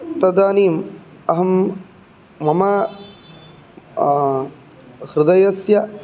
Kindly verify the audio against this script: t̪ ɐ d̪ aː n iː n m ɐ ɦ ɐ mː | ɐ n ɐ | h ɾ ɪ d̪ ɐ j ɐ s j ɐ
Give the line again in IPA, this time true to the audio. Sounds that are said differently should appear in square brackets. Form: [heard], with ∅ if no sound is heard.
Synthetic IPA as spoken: t̪ ɐ d̪ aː n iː [∅] m ɐ ɦ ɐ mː | ɐ [m] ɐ | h ɾ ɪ d̪ ɐ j ɐ s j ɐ